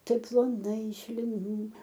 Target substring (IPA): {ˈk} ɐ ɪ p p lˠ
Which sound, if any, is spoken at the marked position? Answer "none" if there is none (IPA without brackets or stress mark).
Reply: t